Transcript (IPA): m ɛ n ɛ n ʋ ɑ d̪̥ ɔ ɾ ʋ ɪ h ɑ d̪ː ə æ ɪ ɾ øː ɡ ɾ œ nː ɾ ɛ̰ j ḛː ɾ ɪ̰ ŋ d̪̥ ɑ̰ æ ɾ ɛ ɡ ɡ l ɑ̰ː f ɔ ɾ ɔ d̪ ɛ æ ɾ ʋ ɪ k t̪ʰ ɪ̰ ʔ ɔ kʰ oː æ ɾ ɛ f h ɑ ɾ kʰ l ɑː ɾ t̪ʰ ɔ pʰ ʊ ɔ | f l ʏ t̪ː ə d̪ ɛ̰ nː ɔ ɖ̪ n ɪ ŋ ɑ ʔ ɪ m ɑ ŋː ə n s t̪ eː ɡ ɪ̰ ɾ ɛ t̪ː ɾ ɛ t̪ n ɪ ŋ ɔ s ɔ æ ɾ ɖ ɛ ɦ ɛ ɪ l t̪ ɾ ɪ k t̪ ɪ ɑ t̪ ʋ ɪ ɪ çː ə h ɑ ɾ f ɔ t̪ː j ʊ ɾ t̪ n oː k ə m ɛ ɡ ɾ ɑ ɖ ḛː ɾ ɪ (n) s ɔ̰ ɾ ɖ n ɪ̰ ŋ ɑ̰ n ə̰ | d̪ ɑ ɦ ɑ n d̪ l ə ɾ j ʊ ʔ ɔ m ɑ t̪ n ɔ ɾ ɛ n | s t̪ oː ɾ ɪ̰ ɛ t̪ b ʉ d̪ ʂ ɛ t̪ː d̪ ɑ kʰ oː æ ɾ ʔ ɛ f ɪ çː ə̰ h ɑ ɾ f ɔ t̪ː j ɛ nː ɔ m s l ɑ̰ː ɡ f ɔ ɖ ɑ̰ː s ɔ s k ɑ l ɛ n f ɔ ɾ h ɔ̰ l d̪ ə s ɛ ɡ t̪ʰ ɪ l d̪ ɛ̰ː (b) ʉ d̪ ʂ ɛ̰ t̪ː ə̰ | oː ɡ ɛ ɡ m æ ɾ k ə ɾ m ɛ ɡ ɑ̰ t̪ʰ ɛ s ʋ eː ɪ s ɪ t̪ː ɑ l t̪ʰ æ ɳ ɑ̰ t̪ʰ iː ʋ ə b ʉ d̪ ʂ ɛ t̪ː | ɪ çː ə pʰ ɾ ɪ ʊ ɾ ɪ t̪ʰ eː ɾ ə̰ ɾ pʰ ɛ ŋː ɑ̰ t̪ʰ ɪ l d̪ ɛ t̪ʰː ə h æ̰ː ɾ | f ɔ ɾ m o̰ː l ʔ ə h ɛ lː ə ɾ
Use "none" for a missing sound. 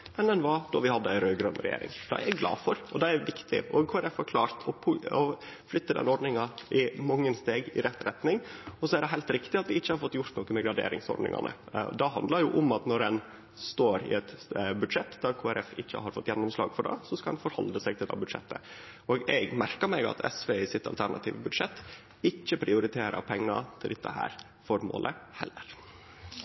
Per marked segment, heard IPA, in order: ŋ, b

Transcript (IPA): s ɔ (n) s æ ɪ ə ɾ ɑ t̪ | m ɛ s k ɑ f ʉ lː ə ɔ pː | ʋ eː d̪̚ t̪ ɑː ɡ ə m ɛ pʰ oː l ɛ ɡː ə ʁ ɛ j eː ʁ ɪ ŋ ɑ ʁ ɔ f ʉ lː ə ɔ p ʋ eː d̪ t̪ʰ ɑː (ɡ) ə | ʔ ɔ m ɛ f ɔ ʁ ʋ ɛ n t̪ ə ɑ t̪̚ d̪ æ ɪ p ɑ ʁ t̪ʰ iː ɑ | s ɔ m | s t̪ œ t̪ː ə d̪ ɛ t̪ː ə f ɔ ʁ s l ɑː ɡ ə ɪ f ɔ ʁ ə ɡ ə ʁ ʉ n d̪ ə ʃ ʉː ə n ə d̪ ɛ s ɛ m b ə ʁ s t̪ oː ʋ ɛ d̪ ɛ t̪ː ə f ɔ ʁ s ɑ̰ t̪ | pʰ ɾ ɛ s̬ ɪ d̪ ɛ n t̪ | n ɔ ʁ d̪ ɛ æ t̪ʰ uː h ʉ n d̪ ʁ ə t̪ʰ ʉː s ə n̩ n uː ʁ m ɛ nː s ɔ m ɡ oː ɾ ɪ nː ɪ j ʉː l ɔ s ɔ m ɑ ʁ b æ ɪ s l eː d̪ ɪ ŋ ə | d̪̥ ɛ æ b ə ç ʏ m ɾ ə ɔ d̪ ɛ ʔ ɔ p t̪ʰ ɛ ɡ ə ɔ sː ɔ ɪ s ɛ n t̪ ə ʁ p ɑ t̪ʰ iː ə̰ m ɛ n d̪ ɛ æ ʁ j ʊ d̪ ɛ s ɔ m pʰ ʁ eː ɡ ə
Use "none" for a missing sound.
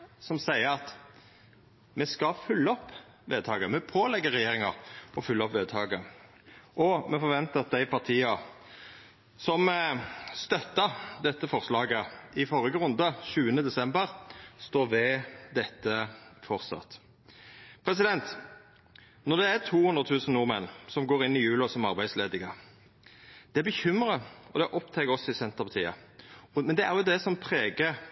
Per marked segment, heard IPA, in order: m, ɡ

